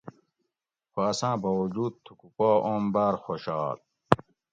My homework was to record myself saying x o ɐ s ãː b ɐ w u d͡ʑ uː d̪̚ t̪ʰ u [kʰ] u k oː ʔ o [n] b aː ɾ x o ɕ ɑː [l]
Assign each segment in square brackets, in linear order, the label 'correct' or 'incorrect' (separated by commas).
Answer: incorrect, incorrect, correct